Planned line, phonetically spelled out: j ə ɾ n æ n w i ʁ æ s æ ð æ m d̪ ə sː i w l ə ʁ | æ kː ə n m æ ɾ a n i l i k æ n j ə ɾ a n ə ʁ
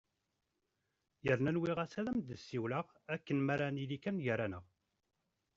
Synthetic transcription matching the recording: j ə ɾ n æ n w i ʁ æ s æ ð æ m d̪ ə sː i w l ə ʁ | æ kː ə n m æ ɾ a n i l i k æ n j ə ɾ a n ə ʁ

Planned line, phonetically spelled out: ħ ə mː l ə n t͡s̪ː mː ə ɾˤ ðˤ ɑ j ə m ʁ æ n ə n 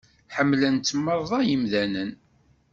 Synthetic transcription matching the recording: ħ ə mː l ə n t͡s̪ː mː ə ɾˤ ðˤ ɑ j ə m ð æ n ə n

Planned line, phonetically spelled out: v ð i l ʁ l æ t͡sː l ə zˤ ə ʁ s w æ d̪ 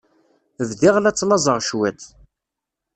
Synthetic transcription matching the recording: v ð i ʁ l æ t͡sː l ɑ zˤ ə ʁ ʃ w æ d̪

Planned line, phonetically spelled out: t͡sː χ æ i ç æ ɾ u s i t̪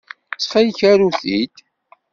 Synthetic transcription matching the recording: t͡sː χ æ j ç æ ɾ u θ i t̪

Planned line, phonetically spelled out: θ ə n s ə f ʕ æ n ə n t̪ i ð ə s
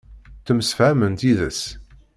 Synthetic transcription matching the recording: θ ə m s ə f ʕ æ m ə n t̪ i ð ə s

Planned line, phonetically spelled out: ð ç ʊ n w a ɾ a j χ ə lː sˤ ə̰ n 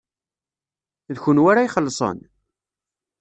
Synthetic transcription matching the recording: ð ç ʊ n w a ɾ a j χ ə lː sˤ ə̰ n

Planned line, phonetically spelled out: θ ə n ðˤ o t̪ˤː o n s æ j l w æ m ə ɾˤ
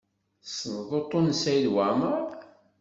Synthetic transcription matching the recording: s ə n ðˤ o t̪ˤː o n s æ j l w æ m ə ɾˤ

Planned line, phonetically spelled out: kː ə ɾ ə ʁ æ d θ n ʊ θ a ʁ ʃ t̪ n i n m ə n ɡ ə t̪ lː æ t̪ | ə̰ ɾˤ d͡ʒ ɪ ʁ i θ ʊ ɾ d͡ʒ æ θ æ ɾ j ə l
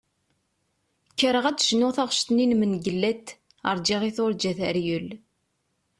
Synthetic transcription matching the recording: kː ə ɾ ə ʁ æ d ʃ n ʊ θ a ʁ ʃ t̪ n i n m ə n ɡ ə lː æ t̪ | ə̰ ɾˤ d͡ʒ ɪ ʁ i θ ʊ ɾ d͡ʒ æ θ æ ɾ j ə l

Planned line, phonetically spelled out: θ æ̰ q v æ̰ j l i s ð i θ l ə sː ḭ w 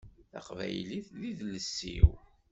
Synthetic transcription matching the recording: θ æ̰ q v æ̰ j l i θ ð i ð l ə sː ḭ w

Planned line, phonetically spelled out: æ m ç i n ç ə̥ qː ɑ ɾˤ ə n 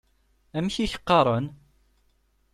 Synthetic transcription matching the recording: æ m ç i ç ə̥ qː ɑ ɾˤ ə n

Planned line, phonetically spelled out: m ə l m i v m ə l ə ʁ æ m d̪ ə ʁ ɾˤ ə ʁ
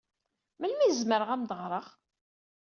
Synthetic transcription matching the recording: m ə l m i z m ə ɾ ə ʁ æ m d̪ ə ʁ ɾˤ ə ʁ

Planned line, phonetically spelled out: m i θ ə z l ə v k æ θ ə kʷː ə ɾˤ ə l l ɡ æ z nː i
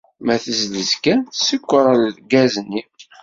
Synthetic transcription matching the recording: m æ θ ə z l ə z k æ s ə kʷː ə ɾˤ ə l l ɡ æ z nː i

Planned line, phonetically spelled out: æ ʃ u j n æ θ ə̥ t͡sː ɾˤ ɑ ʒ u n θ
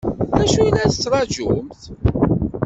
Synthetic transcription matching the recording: æ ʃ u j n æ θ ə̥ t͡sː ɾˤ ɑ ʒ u m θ

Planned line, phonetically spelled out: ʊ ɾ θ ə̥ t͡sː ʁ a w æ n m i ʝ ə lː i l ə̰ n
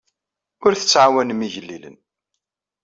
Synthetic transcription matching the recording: ʊ ɾ θ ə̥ t͡sː ʕ a w æ n m i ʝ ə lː i l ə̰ n

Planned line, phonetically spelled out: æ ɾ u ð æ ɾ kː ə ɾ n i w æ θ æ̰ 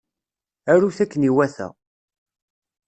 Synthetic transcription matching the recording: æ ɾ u θ æ kː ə n i w æ θ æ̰

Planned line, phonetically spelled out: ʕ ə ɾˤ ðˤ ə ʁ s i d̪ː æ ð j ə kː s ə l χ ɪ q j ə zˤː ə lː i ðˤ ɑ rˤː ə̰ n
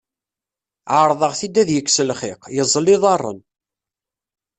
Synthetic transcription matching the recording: ʕ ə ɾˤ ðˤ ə ʁ θ i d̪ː æ ð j ə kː s ə l χ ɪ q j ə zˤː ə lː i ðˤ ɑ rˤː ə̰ n

